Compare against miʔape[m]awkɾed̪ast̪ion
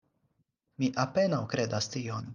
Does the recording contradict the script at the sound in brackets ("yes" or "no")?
yes